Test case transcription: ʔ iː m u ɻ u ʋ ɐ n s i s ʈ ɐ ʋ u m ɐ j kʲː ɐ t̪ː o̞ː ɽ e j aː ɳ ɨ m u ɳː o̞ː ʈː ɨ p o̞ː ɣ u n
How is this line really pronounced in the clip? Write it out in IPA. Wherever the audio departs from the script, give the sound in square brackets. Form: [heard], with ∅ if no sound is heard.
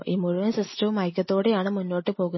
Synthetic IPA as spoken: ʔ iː m u ɻ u ʋ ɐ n s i s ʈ ɐ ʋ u m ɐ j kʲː ɐ t̪ː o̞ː ɽ e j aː ɳ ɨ m u [nː] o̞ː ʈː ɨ p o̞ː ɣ u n